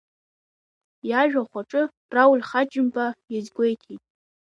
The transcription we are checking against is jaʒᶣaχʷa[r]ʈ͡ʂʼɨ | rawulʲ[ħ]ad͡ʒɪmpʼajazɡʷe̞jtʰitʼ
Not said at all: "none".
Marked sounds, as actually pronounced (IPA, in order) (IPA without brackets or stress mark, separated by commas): none, χ